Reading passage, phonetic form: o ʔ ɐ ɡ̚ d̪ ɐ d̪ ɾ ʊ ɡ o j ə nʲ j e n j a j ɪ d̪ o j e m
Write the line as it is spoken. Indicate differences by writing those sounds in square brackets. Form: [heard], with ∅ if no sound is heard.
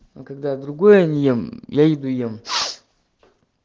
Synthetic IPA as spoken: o [k] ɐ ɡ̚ d̪ [a] d̪ ɾ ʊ ɡ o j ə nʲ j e [m] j a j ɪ d̪ [u] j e m